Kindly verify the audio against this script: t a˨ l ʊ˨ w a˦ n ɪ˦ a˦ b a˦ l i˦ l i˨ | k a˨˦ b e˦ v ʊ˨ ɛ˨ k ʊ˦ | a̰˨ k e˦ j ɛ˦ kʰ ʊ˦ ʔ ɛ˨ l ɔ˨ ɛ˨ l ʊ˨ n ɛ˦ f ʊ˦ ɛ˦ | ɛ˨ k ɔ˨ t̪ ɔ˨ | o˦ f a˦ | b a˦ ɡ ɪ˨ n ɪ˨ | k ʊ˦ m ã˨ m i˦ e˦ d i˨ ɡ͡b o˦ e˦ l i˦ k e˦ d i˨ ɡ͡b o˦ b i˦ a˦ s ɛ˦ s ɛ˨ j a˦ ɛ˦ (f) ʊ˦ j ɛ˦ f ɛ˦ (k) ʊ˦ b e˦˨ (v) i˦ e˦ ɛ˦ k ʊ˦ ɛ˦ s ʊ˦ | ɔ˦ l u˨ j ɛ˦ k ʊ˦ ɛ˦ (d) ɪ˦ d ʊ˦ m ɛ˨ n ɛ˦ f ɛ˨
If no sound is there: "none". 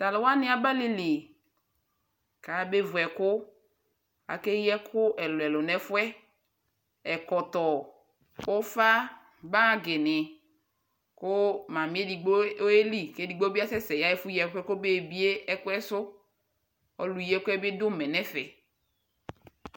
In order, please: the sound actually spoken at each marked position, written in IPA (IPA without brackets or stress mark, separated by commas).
f, k, b, b